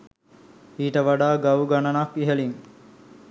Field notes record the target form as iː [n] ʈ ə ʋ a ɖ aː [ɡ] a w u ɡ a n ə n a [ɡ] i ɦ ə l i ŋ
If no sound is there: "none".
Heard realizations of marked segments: none, ɡ, k

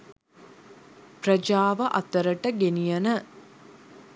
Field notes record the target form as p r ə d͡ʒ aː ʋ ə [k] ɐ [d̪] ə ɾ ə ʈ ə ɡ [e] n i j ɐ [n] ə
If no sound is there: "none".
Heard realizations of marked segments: ʔ, t̪, e, n

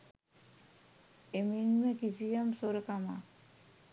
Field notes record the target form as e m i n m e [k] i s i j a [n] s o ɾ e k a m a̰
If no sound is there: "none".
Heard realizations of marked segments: k, m

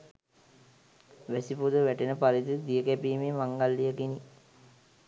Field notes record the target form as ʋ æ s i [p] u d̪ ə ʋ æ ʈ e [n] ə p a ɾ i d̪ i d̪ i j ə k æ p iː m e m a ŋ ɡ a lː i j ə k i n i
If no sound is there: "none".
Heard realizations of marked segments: p, n

